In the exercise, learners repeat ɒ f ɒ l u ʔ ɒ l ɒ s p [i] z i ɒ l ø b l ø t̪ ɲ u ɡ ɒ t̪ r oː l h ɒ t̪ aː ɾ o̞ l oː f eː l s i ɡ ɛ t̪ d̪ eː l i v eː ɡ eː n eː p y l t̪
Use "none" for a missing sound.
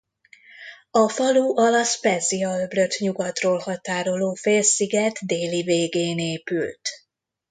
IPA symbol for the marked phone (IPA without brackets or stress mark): ɛ